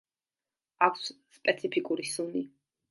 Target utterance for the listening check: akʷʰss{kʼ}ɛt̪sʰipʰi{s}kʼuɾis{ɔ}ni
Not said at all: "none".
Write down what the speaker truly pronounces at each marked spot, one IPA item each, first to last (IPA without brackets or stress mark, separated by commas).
pʼ, none, u